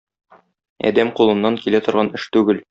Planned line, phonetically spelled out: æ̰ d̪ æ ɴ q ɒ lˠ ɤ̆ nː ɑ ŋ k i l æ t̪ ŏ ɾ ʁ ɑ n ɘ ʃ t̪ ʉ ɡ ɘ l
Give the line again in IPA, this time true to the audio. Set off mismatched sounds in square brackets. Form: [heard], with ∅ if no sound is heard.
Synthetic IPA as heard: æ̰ d̪ æ [m] q [u] lˠ ɤ̆ nː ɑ ŋ k i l æ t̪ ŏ ɾ ʁ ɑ n ɘ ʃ t̪ ʉ ɡ ɘ l